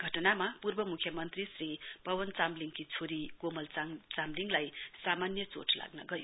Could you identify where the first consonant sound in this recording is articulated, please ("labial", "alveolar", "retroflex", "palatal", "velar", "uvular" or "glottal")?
velar